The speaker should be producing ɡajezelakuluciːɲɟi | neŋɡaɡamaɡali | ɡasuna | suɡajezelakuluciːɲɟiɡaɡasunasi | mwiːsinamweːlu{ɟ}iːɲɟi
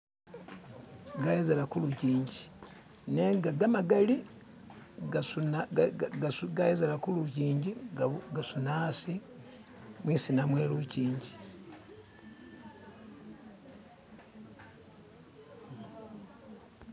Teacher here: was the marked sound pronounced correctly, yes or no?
no